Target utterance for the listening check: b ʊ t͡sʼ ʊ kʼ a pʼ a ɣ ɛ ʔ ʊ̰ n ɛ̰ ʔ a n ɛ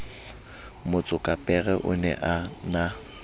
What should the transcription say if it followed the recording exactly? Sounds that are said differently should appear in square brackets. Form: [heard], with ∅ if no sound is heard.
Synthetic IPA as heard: [m] ʊ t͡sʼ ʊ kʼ a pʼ [ɛ] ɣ ɛ ʔ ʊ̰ n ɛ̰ ʔ a n [a]